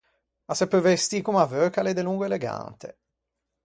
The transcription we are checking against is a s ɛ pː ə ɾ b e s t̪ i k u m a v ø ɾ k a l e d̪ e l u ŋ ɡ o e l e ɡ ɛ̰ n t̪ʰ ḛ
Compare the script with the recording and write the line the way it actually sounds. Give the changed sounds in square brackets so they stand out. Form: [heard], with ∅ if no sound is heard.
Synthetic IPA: a s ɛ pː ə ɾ [v] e s t̪ i k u m a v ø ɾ k a l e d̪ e l u ŋ ɡ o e l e ɡ [a̰] n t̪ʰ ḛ